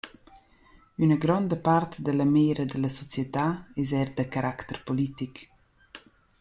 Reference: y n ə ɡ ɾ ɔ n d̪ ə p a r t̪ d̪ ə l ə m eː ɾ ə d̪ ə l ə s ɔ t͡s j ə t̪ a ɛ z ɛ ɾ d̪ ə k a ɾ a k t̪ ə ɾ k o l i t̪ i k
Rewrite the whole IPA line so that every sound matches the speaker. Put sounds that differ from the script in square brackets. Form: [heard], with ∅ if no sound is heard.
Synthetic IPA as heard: y n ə ɡ ɾ ɔ n d̪ ə p a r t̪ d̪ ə l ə m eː ɾ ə d̪ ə l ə s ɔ t͡s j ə t̪ a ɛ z ɛ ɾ d̪ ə k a ɾ a k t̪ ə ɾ [p] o l i t̪ i k